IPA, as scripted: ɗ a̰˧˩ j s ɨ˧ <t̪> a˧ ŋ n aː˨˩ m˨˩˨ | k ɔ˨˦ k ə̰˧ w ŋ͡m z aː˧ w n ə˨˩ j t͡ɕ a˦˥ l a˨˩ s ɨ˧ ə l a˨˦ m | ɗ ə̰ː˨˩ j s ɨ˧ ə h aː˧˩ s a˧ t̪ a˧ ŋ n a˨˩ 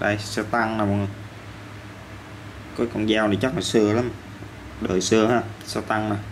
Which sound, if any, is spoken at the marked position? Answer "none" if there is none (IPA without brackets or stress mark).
t̪